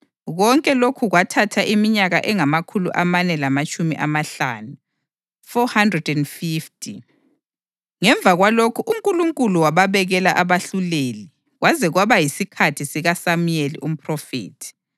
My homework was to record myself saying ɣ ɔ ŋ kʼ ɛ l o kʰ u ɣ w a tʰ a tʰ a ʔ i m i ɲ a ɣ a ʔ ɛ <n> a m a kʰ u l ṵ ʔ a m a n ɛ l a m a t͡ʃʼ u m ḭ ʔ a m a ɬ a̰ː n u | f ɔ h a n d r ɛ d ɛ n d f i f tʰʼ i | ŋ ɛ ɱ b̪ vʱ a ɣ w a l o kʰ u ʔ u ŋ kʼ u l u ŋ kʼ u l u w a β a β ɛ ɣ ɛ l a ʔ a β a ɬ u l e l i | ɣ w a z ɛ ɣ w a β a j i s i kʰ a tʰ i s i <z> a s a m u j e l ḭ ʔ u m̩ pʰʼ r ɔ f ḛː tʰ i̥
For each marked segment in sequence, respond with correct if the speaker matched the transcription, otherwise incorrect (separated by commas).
incorrect, incorrect